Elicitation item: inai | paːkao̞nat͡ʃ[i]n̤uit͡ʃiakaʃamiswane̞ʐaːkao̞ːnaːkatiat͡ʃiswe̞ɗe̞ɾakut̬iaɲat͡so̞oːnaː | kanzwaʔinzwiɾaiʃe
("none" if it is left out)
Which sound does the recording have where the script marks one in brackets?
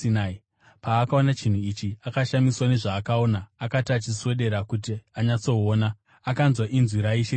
i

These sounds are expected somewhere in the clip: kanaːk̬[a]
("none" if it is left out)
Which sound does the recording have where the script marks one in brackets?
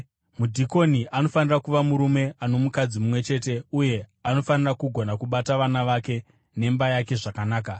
a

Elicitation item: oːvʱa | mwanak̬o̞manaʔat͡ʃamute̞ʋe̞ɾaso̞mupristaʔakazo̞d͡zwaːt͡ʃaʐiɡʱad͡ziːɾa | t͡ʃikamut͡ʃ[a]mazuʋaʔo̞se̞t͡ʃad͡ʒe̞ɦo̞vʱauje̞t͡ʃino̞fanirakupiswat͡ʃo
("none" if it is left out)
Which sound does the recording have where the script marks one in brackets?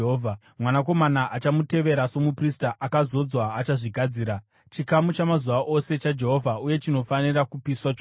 a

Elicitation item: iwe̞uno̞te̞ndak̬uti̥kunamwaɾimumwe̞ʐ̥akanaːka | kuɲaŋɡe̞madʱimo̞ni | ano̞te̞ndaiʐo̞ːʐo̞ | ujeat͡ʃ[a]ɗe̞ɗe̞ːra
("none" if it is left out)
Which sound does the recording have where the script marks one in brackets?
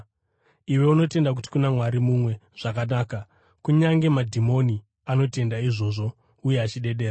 i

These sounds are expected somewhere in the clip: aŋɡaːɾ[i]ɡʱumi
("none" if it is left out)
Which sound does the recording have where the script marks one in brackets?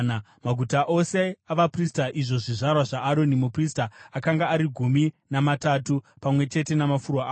i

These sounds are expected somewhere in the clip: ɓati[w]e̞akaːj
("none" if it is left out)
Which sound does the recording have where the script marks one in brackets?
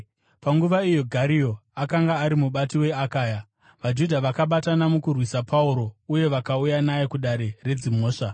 w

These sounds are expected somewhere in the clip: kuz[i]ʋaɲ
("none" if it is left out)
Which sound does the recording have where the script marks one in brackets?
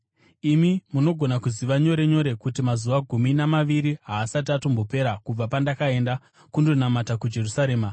i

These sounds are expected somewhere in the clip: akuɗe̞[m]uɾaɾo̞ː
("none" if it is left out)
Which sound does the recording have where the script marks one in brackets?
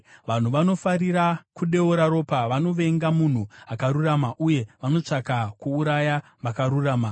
none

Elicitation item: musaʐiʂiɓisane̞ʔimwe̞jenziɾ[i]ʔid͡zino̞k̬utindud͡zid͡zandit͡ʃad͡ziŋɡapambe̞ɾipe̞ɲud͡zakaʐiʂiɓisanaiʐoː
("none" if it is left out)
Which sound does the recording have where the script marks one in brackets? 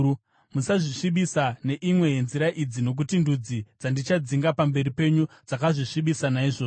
a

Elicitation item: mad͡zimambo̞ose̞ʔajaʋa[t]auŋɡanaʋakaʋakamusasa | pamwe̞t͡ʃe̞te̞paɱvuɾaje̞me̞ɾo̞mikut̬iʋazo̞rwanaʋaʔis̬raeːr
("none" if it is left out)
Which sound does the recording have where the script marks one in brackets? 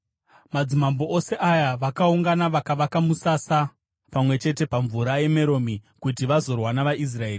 k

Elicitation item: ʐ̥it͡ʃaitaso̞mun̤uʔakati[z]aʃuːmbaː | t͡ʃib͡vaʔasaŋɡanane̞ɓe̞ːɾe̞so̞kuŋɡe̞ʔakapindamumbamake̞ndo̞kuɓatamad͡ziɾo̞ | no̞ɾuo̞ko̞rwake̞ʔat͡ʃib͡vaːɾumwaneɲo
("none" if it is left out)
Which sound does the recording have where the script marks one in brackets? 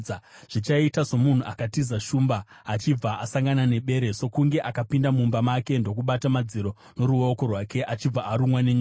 z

